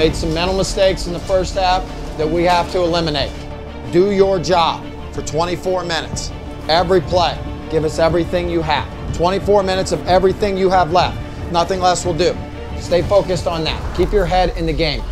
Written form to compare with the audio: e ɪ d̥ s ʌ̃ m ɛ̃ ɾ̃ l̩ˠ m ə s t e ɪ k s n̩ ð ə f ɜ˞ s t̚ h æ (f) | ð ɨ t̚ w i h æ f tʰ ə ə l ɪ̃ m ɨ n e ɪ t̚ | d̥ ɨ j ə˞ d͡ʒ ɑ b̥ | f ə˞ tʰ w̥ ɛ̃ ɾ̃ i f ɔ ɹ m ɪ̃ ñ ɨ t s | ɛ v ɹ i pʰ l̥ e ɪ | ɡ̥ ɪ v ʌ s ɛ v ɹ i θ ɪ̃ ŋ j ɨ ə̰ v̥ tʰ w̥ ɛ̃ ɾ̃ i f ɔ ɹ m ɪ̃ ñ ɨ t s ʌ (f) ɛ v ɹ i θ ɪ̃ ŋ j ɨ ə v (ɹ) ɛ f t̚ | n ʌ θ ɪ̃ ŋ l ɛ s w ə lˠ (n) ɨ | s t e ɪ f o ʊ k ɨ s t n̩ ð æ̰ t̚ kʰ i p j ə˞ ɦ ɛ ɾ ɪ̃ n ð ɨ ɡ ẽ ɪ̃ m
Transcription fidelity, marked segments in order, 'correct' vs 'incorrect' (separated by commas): correct, incorrect, incorrect, incorrect